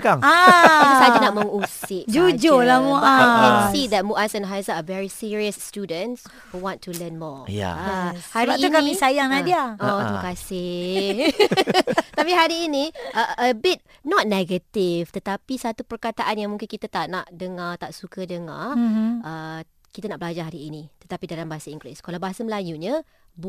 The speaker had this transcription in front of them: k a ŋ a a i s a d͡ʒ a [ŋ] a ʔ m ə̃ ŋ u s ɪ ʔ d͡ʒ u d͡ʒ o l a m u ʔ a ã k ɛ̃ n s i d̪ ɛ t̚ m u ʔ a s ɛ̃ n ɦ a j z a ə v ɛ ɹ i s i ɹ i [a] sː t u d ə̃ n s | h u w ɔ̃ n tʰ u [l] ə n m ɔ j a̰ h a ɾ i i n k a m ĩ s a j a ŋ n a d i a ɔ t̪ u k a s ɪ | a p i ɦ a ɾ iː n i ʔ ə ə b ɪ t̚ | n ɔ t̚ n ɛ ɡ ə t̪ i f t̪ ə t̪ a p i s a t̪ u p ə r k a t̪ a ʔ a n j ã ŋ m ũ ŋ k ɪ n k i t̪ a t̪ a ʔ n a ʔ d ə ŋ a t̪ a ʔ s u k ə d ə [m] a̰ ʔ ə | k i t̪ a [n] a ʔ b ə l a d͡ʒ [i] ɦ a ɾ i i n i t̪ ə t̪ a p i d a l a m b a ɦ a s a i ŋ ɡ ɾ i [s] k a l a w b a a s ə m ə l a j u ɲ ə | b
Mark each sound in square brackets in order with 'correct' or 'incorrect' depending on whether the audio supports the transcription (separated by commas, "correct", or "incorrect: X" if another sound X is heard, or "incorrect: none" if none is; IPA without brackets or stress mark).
incorrect: n, incorrect: ə, correct, incorrect: ŋ, correct, incorrect: a, correct